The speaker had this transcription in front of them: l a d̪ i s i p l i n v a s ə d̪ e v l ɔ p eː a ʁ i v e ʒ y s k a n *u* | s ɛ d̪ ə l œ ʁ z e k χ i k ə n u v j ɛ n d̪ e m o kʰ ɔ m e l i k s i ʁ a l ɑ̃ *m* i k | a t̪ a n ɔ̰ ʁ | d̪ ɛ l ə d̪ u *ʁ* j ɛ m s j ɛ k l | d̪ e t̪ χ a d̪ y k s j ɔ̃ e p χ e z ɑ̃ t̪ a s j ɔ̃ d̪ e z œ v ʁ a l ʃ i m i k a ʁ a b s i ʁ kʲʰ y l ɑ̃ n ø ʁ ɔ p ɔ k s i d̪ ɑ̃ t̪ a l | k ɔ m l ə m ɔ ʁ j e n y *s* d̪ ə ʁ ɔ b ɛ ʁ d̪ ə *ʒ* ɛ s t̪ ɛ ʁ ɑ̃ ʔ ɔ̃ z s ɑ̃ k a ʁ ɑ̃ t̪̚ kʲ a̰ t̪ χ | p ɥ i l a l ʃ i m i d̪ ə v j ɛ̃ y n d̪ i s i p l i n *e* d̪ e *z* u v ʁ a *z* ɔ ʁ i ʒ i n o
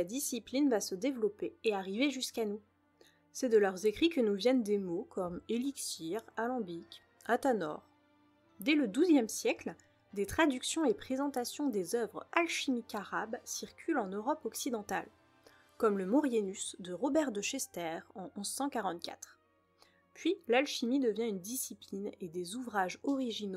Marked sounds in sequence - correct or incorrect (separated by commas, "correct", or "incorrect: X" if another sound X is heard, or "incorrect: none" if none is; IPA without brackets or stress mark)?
correct, incorrect: b, incorrect: z, correct, incorrect: ʃ, correct, correct, incorrect: ʒ